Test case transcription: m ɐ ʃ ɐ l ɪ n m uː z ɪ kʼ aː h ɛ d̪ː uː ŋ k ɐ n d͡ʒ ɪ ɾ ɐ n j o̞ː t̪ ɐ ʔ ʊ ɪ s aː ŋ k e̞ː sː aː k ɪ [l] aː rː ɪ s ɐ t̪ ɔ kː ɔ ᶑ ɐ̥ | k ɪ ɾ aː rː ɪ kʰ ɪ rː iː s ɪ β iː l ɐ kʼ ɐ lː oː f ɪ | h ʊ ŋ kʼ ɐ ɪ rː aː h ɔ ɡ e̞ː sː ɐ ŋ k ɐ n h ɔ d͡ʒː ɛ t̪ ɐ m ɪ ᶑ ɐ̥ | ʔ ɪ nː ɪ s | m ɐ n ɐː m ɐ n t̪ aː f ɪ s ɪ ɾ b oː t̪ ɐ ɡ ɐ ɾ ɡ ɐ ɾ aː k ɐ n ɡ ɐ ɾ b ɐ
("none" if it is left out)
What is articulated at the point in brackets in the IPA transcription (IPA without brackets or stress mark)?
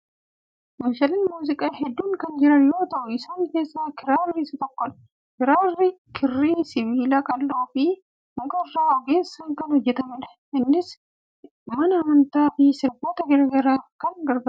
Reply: ɾ